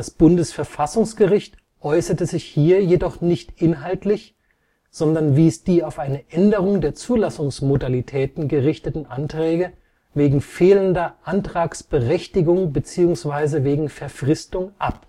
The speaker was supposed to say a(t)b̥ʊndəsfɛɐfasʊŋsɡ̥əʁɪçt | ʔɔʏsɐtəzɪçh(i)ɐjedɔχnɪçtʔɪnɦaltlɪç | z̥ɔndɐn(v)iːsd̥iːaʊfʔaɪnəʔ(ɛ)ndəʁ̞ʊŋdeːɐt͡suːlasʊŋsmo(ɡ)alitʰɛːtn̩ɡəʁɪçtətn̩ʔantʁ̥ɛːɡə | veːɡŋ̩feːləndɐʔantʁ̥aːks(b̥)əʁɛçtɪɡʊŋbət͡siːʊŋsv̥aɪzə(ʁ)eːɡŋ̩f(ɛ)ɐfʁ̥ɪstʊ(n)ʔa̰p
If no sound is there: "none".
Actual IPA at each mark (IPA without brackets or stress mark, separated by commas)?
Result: s, iː, v, ɛ, d, b̥, v, ɛ, ŋ